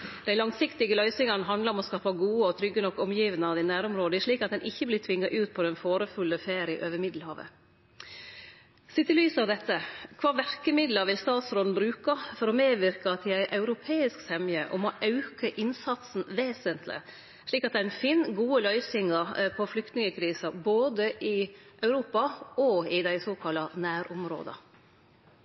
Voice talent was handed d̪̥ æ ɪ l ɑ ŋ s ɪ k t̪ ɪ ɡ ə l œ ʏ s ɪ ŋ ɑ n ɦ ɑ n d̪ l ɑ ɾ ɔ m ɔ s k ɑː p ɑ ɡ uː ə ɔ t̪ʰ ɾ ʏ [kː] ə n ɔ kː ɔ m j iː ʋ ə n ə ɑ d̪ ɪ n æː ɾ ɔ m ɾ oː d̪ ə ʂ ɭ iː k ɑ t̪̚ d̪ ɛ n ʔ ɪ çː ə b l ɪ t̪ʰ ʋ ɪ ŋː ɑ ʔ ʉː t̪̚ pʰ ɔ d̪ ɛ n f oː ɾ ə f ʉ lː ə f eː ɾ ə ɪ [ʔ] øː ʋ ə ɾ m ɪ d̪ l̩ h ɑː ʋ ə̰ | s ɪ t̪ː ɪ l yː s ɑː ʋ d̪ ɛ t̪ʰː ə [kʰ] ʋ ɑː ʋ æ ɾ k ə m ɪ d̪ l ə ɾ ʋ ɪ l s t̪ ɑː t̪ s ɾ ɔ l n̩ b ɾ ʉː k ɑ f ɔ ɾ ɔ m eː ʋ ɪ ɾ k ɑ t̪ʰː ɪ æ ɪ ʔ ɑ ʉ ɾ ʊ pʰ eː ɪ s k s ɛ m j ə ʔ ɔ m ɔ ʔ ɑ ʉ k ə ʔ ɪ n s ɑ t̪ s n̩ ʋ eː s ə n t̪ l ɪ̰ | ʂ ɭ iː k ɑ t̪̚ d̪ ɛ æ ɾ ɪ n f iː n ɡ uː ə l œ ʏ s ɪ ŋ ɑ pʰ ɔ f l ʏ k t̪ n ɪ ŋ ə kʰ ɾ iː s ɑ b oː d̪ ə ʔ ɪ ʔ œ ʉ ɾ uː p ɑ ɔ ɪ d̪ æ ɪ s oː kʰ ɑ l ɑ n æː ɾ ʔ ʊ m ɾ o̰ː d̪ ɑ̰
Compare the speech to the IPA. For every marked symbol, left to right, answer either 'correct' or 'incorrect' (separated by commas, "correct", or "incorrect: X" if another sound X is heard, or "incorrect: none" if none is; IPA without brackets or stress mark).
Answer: incorrect: ɡː, correct, correct